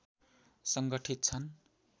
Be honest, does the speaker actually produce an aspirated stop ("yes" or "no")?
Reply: yes